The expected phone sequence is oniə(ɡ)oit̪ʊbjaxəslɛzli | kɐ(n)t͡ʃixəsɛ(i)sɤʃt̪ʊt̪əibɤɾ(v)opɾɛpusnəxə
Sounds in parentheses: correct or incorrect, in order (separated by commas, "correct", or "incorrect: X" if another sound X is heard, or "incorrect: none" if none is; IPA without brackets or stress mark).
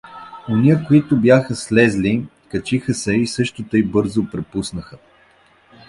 incorrect: k, incorrect: none, correct, incorrect: z